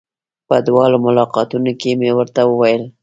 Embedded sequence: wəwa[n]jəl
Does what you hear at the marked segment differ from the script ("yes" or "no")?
yes